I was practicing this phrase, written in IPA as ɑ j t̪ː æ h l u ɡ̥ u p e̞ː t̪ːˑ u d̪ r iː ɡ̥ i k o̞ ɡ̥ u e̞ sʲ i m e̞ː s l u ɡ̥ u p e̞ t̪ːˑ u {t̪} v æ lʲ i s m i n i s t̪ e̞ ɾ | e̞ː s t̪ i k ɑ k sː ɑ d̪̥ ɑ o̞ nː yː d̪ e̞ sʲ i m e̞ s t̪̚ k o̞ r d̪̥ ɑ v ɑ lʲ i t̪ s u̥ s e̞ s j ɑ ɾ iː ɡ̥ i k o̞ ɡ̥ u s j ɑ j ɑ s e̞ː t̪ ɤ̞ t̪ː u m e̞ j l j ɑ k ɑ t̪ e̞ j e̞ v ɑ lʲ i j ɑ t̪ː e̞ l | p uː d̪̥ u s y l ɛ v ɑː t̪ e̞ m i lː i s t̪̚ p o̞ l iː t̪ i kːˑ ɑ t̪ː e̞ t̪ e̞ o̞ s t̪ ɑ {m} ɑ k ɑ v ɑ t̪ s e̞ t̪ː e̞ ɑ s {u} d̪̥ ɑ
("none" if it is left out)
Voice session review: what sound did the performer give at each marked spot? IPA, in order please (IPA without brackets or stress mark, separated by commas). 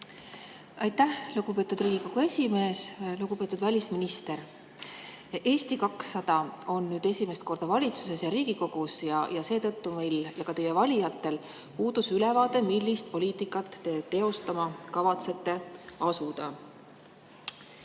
d̪, m, u